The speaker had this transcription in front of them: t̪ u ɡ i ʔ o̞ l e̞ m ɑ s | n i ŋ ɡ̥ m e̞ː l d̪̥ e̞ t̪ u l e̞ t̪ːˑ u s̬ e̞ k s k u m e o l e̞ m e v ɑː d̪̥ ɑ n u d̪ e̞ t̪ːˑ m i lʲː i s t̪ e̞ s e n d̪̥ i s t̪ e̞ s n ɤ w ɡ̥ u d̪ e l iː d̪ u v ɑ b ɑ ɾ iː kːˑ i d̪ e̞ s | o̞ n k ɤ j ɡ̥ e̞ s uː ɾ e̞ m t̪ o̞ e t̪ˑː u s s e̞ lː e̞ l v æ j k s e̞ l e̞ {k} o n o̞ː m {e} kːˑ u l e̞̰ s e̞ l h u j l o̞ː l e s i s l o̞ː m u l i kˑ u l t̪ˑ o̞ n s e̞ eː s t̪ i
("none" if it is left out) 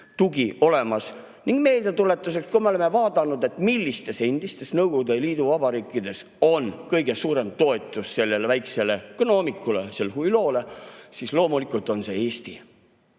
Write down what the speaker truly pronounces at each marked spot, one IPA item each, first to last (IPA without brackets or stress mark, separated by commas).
k, i